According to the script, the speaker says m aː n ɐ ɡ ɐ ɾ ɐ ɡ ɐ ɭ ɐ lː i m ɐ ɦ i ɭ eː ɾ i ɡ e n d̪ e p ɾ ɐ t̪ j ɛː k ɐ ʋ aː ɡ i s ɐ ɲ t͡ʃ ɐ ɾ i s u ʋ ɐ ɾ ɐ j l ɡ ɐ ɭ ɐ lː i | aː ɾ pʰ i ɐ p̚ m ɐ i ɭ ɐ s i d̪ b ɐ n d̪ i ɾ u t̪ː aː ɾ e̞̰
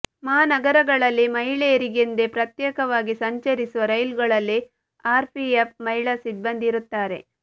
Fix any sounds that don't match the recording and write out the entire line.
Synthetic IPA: m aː n ɐ ɡ ɐ ɾ ɐ ɡ ɐ ɭ ɐ lː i m ɐ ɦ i ɭ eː ɾ i ɡ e n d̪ e p ɾ ɐ t̪ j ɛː k ɐ ʋ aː ɡ i s ɐ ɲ t͡ʃ ɐ ɾ i s u ʋ ɐ ɾ ɐ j l ɡ ɐ ɭ ɐ lː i | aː ɾ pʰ i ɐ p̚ m ɐ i ɭ ɐ s i d̪ b ɐ n d̪ i ɾ u t̪ː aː ɾ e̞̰